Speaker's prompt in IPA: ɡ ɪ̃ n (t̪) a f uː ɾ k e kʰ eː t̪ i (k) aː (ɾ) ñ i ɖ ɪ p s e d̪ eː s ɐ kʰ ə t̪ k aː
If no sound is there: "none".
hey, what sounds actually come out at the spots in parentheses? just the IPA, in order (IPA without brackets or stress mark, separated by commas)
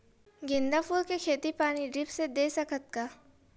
d̪, p, none